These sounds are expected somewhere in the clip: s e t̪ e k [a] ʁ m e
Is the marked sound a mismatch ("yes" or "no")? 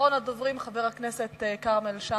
no